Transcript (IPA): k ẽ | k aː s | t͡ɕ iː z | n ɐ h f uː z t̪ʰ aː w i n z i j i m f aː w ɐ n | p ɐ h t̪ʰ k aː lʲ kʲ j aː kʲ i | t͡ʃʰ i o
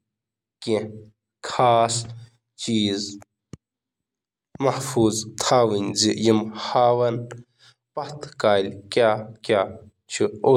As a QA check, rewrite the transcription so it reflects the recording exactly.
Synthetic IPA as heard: k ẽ | kʰ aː s | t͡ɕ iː z | m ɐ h f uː z t̪ʰ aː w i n z i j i m h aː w ɐ n | p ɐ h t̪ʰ k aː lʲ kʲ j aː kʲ a | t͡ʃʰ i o